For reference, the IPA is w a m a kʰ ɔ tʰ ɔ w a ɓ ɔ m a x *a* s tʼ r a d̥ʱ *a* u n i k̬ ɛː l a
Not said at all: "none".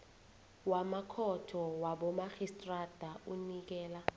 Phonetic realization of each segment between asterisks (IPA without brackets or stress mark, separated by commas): i, a